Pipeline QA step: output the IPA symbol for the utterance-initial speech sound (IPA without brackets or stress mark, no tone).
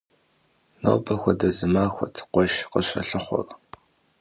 n